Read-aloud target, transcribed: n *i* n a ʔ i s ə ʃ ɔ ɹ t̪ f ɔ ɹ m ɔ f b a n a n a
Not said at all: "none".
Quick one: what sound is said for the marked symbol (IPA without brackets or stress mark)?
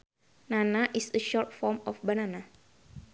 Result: a